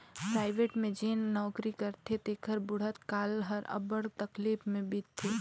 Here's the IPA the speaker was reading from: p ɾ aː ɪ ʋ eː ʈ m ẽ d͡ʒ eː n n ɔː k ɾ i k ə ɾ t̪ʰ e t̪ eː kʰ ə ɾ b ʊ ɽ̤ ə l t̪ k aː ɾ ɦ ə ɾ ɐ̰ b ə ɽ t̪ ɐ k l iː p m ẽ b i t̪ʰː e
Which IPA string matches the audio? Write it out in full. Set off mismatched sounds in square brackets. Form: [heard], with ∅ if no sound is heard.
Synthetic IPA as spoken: p ɾ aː ɪ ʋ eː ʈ m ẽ d͡ʒ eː n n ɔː k ɾ i k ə ɾ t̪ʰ e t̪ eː kʰ ə ɾ b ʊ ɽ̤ ə [∅] t̪ k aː [l] ɦ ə ɾ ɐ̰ b ə ɽ t̪ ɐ k l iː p m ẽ b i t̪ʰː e